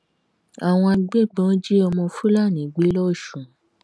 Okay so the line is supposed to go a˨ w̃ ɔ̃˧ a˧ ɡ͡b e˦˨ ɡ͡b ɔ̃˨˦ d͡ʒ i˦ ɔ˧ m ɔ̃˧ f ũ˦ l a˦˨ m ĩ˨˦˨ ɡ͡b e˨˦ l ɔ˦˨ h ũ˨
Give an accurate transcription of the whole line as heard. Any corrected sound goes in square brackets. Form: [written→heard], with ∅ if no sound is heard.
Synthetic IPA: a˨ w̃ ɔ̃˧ a˧ ɡ͡b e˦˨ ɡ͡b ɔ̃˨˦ d͡ʒ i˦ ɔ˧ m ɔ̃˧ f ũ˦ l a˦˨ [m→n] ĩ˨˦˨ ɡ͡b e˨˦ l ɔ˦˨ [h→ʃ] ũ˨